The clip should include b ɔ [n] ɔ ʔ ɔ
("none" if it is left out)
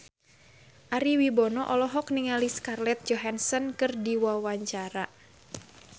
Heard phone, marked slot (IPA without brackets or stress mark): n